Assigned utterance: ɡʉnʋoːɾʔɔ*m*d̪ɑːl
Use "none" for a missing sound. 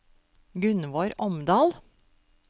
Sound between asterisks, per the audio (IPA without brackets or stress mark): m